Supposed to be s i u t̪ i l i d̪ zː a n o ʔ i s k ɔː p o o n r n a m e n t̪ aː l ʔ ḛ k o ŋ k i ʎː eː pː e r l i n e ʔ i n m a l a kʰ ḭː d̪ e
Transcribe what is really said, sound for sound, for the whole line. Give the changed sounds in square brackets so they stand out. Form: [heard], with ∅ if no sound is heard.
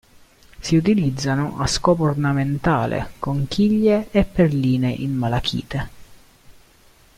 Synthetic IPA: s i u t̪ i l i d̪ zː a n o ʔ [a] s k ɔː p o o [∅] r n a m e n t̪ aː l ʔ ḛ k o ŋ k i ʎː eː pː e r l [iː] n e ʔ i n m a l a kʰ ḭː [t̪] e